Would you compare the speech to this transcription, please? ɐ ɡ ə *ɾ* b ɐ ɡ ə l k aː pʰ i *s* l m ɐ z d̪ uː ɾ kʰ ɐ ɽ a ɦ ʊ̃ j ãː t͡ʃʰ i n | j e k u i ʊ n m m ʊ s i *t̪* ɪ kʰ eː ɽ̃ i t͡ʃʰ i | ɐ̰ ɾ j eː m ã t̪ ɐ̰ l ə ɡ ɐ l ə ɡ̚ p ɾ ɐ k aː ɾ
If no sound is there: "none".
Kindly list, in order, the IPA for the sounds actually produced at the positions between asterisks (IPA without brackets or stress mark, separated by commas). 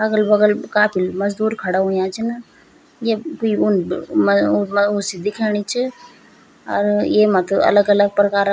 l, none, d̪